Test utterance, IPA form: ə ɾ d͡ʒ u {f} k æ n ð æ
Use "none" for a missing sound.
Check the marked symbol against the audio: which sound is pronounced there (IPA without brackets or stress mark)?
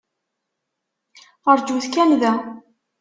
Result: θ